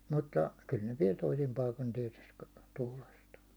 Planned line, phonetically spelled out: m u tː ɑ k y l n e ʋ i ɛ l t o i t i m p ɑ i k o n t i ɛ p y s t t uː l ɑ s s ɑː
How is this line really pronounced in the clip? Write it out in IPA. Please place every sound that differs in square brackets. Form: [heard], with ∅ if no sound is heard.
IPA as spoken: m u tː ɑ k y l n e ʋ i ɛ l t o i [s] i m p ɑ i k o n t i ɛ [t] y s t t uː l ɑ s [t] ɑː